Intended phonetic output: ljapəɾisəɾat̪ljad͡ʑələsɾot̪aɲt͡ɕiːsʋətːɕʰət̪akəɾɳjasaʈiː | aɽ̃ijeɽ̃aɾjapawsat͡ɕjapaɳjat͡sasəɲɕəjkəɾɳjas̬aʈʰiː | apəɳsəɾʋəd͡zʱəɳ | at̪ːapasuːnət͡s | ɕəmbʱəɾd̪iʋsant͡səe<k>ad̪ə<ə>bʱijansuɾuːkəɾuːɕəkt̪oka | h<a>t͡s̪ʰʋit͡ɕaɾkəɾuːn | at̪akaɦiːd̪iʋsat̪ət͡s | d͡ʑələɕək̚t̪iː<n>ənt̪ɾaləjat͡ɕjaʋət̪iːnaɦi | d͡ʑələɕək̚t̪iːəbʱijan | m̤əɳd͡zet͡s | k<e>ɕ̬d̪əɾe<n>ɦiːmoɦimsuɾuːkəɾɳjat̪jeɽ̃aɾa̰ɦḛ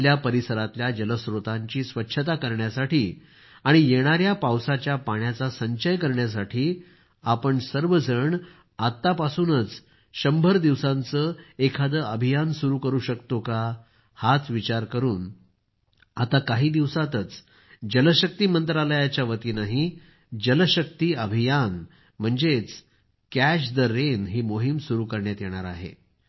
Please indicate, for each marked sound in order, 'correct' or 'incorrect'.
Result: incorrect, correct, correct, incorrect, incorrect, correct

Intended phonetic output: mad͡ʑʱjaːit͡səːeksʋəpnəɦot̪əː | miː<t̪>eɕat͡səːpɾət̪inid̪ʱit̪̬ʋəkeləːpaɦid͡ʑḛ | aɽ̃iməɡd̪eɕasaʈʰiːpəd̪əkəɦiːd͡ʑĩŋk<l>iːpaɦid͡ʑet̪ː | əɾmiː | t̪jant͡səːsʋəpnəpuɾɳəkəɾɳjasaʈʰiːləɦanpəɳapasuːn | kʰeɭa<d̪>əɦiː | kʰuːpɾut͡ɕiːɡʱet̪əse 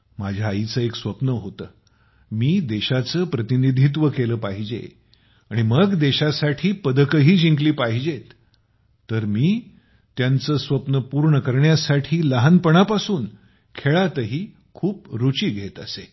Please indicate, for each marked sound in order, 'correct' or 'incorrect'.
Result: incorrect, correct, incorrect

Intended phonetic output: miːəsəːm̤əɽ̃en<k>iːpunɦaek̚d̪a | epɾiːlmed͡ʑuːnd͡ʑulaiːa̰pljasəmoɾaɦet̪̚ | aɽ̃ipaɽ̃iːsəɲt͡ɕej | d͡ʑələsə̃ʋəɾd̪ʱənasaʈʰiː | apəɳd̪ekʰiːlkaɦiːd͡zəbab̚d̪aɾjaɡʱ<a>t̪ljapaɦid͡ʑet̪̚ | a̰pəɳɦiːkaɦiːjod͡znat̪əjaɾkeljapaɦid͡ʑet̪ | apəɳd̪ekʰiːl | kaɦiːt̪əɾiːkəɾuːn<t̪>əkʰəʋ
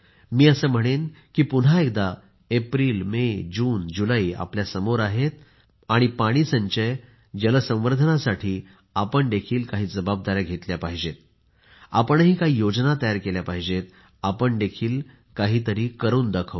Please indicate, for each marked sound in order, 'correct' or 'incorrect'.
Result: correct, incorrect, incorrect

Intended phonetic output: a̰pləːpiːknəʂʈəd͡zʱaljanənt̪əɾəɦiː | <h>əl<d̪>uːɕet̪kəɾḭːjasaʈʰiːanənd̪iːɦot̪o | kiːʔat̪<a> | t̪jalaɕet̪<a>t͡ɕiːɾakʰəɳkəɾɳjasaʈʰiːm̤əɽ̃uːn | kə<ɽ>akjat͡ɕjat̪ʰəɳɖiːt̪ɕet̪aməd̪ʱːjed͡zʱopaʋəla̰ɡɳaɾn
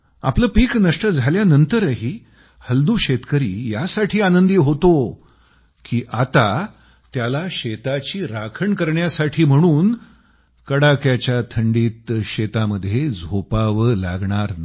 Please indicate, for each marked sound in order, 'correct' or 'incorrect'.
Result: correct, correct, correct, correct, correct

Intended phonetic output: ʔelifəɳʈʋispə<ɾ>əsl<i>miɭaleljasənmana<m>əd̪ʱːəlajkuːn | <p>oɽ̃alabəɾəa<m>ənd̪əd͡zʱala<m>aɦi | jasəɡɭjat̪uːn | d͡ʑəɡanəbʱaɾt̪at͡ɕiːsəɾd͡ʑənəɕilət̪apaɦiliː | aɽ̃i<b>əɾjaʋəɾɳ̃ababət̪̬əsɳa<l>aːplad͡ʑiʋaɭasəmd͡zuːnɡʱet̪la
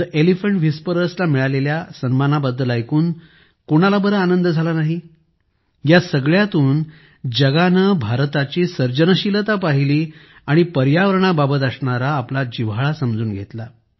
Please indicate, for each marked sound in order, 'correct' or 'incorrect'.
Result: correct, incorrect, incorrect, incorrect, incorrect, incorrect, incorrect, incorrect

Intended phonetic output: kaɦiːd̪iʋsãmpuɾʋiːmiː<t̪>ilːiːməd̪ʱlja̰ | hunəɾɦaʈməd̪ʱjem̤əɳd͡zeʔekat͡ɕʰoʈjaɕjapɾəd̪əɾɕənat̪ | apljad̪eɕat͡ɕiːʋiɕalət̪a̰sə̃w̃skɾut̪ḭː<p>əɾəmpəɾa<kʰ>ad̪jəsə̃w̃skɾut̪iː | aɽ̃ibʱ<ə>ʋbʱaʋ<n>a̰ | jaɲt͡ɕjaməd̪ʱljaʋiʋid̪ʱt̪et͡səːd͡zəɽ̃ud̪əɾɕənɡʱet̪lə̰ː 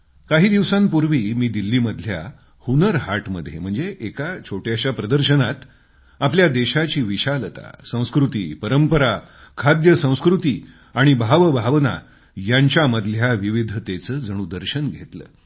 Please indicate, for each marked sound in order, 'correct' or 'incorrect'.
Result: incorrect, correct, correct, incorrect, correct

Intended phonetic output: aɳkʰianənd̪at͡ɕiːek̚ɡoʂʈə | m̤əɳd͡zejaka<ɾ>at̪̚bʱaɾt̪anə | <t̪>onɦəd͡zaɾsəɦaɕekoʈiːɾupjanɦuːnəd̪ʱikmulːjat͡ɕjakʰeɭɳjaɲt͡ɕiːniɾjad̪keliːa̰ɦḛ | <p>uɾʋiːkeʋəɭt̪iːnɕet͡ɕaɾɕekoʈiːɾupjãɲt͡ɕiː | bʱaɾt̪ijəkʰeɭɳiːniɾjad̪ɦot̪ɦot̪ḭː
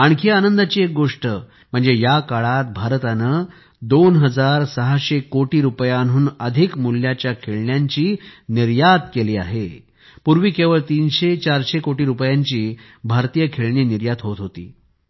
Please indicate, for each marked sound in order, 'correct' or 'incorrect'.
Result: incorrect, incorrect, correct

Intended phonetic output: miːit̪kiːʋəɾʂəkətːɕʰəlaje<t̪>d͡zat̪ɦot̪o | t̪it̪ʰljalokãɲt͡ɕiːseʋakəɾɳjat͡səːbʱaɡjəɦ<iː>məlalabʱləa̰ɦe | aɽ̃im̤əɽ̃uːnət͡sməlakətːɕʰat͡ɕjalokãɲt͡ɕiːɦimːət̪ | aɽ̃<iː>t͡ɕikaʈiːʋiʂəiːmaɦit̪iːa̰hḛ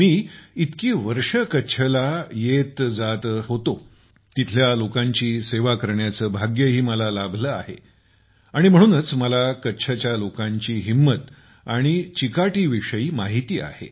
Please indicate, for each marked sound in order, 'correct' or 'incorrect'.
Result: correct, correct, incorrect

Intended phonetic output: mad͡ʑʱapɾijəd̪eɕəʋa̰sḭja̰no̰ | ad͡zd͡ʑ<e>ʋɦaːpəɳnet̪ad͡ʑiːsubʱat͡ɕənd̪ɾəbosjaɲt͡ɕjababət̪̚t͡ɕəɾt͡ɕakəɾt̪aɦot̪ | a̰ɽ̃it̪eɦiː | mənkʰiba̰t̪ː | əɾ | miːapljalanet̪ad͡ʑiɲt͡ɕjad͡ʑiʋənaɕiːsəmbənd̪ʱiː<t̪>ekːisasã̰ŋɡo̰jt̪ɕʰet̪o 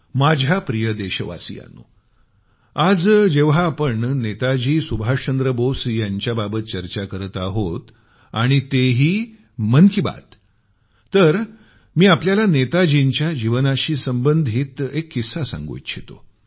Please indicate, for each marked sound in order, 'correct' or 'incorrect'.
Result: correct, correct

